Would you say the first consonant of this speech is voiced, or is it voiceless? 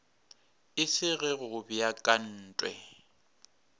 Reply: voiceless